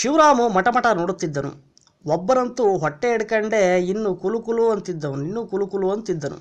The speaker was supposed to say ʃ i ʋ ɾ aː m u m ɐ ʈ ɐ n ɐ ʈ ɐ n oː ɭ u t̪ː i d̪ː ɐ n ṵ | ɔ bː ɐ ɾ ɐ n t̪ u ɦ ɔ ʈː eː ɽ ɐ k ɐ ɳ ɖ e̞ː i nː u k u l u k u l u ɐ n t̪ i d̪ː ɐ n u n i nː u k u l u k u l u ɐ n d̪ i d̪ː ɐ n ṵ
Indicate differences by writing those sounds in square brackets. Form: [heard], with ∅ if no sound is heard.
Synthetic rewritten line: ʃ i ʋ ɾ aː m u m ɐ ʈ ɐ [m] ɐ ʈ ɐ n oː [ɽ] u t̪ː i d̪ː ɐ n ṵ | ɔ bː ɐ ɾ ɐ n t̪ u ɦ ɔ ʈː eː ɽ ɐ k ɐ ɳ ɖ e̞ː i nː u k u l u k u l u ɐ n t̪ i d̪ː ɐ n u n i nː u k u l u k u l u ɐ n [t̪] i d̪ː ɐ n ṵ